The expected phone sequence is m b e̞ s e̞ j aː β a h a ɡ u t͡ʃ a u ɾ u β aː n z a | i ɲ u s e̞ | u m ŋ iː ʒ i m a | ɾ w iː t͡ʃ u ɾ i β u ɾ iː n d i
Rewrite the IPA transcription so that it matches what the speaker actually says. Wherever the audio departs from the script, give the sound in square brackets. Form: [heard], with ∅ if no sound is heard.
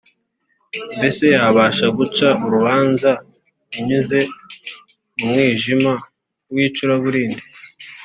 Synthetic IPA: m b e̞ s e̞ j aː β a [ʃ] a ɡ u t͡ʃ a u ɾ u β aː n z a | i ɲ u [z] e̞ | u m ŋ iː ʒ i m a | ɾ w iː t͡ʃ u ɾ [a] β u ɾ iː n d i